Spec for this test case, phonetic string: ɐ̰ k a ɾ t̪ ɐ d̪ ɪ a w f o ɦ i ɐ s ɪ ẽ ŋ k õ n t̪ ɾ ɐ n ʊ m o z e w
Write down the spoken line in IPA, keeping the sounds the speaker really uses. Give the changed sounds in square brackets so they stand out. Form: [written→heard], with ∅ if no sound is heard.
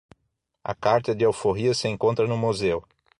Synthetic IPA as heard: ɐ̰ k a ɾ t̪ ɐ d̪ ɪ a w f o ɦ i ɐ s ɪ ẽ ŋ k õ n t̪ ɾ ɐ n ʊ m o z e w